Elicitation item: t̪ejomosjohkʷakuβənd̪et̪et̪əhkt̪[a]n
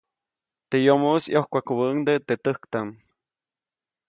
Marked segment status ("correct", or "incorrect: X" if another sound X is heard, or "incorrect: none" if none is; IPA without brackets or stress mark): correct